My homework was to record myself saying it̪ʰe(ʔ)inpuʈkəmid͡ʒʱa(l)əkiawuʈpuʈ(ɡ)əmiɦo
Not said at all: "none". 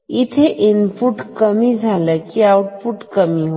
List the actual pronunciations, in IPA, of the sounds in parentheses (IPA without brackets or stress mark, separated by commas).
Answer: ʔ, l, k